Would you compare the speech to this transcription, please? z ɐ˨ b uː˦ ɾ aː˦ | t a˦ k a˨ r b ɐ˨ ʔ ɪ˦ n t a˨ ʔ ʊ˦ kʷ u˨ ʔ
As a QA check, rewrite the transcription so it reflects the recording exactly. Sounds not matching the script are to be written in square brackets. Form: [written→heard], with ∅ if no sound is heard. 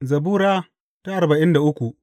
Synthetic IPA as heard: z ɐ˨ b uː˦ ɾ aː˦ | t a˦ [k→ʔ] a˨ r b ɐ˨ ʔ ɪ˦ n [t→d] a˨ ʔ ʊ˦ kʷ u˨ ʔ